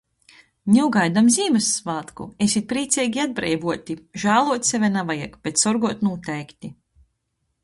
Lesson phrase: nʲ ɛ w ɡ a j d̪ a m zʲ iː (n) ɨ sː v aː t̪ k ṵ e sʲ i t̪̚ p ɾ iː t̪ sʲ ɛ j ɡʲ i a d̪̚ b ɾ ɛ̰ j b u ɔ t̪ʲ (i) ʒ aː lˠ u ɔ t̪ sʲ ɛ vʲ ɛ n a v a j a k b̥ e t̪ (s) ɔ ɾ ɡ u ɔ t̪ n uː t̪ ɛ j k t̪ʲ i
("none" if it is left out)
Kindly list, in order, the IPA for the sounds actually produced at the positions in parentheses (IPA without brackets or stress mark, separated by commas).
m, i, s